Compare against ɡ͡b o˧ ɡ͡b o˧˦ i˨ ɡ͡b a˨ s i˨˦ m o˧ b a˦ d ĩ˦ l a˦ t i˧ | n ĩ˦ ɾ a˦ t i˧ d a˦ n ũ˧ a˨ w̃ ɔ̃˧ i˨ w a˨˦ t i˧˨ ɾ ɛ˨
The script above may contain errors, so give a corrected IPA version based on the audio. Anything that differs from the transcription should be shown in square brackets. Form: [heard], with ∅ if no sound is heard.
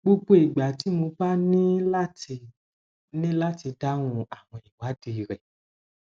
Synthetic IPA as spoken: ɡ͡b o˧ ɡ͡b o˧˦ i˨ ɡ͡b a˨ [t] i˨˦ m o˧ b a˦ [n] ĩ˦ l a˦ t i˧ | n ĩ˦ [l] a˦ t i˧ d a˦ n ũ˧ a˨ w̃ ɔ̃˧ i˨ w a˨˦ [d] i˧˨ ɾ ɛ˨